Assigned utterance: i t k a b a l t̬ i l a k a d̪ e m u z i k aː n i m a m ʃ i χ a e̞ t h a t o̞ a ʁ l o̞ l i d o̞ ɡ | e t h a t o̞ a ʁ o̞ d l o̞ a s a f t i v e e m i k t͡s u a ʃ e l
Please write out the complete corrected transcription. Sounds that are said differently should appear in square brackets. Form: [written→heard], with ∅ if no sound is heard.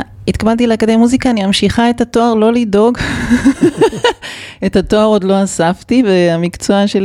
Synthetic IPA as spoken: i t k a b a l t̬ i l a k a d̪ e m u z i k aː n i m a m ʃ i χ a e̞ t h a t o̞ a ʁ l o̞ l i d o̞ ɡ | e t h a t o̞ a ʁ o̞ d l o̞ a s a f t i v e [e→a] m i k t͡s [u→o] a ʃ e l